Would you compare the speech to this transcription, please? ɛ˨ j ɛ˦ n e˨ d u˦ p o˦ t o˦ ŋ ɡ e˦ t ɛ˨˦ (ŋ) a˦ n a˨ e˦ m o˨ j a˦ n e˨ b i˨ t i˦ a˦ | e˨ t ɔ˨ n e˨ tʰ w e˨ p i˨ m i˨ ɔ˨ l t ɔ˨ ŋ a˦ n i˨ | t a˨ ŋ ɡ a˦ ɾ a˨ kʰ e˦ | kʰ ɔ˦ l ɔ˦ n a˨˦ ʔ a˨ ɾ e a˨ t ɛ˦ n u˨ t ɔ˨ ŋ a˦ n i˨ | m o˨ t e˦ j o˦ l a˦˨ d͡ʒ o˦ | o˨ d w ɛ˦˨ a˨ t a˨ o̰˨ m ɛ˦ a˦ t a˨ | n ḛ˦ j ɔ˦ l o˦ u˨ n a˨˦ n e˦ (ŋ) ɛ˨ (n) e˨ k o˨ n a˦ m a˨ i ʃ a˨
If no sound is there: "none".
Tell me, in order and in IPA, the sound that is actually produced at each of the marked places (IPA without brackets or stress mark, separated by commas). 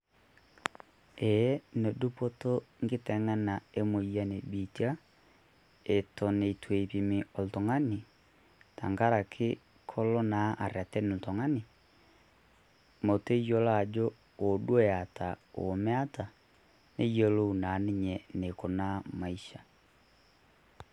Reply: ŋ, ɲ, n